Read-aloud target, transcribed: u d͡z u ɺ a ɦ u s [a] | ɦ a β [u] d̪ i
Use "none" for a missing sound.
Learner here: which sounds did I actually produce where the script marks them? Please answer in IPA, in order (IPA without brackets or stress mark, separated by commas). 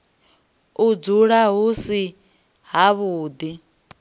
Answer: i, uː